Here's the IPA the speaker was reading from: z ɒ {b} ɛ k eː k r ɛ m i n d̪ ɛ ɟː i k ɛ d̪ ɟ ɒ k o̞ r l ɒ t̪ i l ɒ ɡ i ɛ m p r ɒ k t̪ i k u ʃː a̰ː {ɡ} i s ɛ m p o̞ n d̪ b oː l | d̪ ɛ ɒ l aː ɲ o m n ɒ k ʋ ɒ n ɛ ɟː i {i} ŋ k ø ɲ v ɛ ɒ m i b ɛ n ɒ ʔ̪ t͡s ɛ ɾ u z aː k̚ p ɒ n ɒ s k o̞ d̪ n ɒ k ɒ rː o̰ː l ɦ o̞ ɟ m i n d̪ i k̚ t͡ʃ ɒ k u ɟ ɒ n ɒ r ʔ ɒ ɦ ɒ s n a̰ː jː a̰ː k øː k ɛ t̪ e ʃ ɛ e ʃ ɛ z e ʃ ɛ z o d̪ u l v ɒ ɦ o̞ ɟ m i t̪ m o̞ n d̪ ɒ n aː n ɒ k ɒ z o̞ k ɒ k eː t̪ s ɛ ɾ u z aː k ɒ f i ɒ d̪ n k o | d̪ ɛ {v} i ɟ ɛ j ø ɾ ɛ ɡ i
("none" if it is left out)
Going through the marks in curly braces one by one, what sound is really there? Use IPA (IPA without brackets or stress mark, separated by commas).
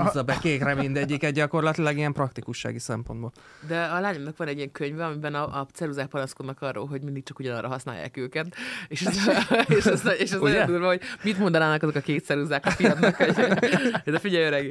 b, ɡ, ɛ, f